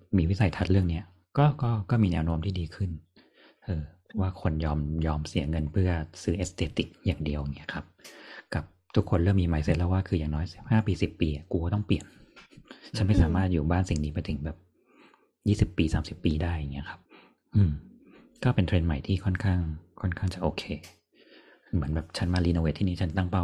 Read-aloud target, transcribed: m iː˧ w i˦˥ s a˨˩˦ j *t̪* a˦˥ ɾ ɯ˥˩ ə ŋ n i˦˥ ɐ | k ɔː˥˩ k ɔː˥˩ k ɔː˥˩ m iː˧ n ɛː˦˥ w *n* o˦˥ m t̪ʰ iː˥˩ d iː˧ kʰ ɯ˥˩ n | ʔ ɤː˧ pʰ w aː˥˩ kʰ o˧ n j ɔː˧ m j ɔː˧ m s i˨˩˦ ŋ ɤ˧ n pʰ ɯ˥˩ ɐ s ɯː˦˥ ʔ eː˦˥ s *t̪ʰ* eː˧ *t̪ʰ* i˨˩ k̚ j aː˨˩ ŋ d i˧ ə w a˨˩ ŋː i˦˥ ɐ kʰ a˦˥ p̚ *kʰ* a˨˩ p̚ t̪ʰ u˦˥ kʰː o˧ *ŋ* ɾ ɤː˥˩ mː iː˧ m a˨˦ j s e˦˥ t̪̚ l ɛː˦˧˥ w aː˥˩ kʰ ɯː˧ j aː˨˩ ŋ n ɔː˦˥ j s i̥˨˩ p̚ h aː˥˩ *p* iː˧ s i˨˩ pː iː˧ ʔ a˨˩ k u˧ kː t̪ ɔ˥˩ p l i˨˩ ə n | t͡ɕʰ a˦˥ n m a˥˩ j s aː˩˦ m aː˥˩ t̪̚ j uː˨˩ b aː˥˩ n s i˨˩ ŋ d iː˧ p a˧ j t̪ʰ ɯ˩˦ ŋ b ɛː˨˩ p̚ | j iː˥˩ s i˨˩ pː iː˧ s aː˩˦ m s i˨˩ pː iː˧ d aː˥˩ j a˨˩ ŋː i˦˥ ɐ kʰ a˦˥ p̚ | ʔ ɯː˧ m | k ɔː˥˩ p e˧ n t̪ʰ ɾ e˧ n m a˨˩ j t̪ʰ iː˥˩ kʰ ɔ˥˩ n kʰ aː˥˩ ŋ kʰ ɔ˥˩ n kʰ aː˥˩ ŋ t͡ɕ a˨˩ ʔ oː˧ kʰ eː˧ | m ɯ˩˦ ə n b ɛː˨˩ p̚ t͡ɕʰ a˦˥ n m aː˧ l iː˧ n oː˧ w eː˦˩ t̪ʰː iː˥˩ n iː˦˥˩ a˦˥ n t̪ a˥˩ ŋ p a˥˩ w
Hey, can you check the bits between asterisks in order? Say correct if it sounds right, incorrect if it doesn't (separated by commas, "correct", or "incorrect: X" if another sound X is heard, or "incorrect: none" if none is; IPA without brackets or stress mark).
incorrect: t̪ʰ, correct, incorrect: t̪, incorrect: t̪, incorrect: k, incorrect: n, correct